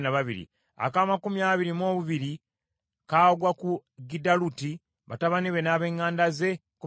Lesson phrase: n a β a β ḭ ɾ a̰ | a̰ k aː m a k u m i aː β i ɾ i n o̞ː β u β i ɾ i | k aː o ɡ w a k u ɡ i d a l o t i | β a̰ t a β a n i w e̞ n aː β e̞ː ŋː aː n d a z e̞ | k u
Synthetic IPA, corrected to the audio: n a β a β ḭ ɾ ḭ | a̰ k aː m a k u m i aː β i ɾ i m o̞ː β u β i ɾ i | k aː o ɡ w a k u ɡ i d a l u t i | β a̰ t a β a n i β e̞ n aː β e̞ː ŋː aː n d a z e̞ | k u